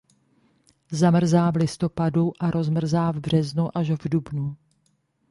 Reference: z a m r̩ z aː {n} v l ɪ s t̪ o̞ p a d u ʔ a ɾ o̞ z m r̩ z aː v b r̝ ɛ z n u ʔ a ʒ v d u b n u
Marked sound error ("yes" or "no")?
yes